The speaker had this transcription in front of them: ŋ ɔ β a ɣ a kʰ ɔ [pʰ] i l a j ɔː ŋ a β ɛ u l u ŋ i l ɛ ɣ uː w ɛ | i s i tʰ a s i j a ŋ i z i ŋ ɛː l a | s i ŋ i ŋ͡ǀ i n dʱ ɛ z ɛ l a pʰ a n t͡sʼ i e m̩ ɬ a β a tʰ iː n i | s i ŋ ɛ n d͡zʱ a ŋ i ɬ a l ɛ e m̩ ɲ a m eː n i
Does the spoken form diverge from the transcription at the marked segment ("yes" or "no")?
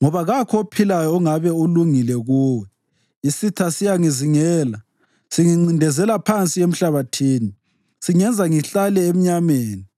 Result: no